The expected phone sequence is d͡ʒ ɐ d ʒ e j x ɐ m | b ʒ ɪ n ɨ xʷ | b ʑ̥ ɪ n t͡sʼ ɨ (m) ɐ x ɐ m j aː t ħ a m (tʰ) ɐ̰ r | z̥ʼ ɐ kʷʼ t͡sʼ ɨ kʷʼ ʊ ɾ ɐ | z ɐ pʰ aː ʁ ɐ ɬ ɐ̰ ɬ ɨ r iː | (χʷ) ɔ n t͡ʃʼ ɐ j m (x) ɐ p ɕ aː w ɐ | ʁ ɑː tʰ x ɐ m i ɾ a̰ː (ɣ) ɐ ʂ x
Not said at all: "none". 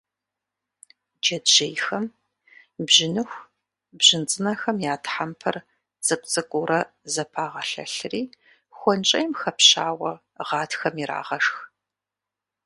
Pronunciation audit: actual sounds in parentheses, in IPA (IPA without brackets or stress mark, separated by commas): n, pʰ, xʷ, x, ʁ